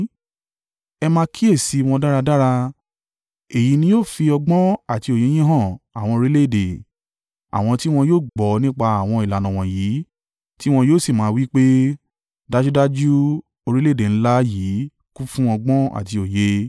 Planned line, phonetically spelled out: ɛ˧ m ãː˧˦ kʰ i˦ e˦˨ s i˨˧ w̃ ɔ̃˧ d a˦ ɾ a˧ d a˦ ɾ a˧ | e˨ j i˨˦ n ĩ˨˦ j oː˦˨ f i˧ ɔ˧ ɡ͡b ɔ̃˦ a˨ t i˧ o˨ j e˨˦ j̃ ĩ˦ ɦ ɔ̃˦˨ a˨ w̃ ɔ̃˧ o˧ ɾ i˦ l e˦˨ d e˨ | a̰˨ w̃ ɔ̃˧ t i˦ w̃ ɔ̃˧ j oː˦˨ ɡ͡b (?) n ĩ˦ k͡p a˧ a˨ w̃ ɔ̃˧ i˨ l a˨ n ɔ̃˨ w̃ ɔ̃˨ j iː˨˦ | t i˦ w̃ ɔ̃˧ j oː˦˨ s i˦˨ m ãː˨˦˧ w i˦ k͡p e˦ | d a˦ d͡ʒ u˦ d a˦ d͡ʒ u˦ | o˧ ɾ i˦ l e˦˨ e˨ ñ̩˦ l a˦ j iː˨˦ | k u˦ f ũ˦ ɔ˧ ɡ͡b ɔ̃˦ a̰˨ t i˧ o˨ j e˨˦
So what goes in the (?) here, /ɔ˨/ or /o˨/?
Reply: ɔ˨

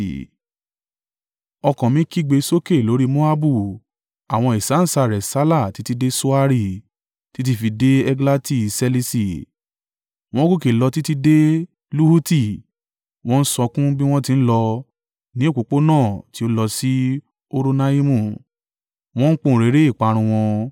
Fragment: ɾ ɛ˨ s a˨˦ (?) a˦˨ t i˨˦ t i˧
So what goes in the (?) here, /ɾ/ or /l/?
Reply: l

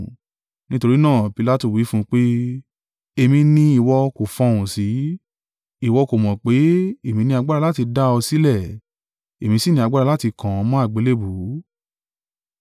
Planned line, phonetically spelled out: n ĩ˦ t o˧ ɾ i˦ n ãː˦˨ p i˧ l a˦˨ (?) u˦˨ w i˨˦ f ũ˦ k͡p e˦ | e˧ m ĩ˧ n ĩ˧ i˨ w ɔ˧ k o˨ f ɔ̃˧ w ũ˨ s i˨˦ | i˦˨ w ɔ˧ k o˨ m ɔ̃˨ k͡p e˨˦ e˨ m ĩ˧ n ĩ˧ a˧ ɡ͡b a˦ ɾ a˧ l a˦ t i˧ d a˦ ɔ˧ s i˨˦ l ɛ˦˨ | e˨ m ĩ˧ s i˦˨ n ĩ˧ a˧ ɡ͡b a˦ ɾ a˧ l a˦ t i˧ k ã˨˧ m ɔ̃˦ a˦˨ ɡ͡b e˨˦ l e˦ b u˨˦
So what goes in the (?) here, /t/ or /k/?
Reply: t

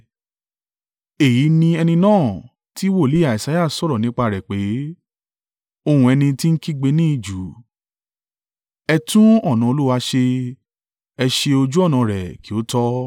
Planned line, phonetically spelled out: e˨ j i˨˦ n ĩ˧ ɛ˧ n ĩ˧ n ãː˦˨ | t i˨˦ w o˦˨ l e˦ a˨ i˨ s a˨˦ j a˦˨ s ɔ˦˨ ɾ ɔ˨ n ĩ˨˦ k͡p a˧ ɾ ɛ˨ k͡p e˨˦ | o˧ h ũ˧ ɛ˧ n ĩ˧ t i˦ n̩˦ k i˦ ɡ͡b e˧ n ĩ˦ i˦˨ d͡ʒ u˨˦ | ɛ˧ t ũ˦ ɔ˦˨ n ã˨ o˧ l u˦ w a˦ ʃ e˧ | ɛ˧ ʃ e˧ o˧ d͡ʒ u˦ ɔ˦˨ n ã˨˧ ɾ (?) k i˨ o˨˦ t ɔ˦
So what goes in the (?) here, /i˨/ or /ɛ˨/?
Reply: ɛ˨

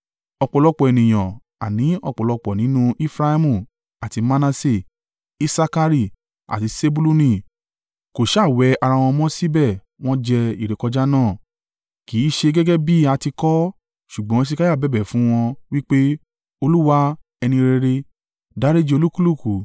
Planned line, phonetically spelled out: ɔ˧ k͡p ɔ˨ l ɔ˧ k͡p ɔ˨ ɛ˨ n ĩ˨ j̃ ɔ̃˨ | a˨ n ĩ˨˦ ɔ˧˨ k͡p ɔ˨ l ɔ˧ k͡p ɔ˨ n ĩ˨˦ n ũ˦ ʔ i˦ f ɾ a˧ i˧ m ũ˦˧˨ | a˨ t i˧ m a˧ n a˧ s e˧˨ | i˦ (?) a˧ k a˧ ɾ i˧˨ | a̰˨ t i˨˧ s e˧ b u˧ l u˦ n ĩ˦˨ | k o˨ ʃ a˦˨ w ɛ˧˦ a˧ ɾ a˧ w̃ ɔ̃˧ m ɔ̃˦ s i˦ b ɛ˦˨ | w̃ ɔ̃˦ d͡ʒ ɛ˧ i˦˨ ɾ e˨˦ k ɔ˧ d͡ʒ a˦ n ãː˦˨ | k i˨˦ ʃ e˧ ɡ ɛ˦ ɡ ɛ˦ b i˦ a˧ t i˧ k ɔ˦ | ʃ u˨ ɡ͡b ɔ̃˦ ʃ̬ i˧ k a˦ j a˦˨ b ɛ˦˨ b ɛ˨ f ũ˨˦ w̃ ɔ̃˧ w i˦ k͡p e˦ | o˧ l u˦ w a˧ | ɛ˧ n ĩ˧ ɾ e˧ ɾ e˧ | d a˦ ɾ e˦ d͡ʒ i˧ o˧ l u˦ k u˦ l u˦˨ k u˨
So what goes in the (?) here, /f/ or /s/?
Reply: s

